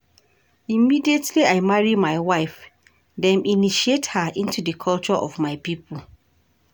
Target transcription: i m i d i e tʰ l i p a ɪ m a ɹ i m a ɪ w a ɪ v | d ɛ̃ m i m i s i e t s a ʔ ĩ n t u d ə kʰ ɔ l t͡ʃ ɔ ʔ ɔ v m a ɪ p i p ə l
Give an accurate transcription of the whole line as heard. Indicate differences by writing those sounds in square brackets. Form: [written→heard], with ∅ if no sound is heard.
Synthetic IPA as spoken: i m i d i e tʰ l i [p→∅] a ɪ m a ɹ i m a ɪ w a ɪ [v→f] | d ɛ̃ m i [m→n] i [s→ʃ] i e t [s→h] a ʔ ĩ n t u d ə kʰ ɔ l t͡ʃ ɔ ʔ ɔ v m a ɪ p i p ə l